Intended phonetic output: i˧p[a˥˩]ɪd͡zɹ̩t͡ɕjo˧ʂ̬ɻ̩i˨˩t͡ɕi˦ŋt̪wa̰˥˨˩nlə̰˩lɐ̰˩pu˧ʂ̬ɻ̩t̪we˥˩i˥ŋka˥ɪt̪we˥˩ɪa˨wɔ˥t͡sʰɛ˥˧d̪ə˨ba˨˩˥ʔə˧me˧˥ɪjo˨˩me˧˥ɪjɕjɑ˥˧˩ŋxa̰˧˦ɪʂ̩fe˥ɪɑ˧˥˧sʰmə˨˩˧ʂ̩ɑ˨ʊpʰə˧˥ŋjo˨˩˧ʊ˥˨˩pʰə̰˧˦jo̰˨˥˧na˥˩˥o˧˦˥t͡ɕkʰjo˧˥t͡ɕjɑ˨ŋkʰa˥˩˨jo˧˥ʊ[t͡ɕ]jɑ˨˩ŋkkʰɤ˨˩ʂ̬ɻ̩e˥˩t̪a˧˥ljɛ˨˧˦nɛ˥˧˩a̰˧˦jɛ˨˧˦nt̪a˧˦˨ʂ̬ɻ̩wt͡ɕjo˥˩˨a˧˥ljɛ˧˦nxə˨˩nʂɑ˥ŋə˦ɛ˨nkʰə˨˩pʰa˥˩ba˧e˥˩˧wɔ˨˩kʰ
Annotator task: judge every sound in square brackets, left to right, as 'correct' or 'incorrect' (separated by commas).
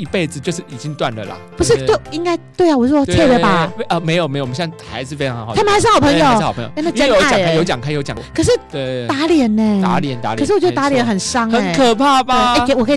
incorrect, correct